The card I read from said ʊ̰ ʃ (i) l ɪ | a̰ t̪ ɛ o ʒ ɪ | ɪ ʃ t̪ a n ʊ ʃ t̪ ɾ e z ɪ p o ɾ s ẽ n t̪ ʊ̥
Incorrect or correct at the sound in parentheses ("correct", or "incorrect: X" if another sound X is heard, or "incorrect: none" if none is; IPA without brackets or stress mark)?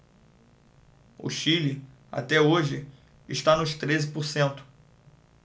correct